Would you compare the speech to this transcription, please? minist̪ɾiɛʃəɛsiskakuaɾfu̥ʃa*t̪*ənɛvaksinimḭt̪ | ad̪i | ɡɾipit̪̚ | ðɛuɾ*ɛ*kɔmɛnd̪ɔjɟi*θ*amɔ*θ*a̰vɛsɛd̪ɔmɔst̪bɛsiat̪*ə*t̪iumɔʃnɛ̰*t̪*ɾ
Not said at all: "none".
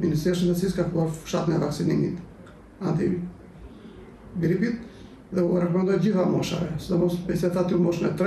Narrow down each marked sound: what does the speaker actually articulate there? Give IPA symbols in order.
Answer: t̪, ɛ, θ, ʃ, a, t̪

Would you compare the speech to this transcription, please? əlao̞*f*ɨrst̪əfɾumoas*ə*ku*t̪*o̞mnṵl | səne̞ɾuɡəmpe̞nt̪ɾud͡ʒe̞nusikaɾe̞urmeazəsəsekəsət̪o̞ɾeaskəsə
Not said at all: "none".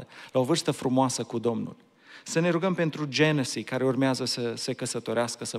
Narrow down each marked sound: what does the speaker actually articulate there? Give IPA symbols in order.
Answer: v, ə, d̪

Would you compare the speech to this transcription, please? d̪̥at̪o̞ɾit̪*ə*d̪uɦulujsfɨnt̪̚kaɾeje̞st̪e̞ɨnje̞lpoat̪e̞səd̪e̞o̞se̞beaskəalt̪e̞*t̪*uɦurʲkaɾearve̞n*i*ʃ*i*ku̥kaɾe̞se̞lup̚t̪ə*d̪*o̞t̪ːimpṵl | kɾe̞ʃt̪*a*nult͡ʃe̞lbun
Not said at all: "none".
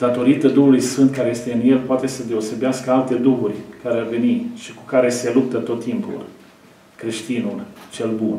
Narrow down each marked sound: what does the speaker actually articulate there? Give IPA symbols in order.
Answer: ə, d̪, i, i, t̪, i

